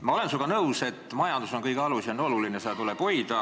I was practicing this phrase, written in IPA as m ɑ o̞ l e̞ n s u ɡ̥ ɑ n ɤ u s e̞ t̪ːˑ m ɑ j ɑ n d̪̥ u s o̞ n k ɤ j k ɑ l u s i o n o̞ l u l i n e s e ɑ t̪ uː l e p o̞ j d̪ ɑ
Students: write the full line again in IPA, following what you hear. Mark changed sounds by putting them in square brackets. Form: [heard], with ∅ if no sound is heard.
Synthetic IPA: m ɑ o̞ l e̞ n s u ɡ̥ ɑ n ɤ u s e̞ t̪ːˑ m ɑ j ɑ n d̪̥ u s o̞ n k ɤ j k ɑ l u s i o n o̞ l u l i n e s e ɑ t̪ [u] l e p o̞ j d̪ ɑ